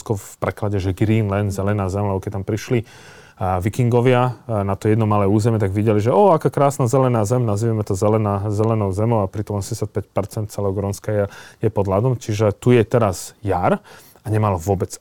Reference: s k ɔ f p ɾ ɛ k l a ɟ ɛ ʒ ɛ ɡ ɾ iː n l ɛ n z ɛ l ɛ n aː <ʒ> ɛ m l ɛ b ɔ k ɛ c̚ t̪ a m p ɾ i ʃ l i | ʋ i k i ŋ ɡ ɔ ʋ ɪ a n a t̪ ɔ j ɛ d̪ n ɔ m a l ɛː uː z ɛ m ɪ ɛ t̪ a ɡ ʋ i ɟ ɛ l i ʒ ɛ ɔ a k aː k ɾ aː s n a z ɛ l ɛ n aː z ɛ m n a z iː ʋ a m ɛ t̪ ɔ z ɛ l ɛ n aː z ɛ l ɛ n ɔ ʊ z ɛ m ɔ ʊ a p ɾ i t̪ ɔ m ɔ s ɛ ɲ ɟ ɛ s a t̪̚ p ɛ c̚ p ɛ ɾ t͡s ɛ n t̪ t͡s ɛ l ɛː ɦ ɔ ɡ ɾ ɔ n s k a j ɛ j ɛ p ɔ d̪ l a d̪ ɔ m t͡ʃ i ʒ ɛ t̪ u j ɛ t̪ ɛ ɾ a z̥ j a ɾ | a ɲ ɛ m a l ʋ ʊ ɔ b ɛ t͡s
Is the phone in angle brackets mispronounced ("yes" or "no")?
yes